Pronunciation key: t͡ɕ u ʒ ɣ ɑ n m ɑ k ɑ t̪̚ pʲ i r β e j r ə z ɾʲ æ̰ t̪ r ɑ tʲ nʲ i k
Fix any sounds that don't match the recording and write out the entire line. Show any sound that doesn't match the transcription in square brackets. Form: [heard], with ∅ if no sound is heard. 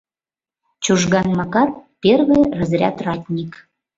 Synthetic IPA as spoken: t͡ɕ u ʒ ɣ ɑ n m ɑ k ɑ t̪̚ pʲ [e] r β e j r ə z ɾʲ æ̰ t̪ r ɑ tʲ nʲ i k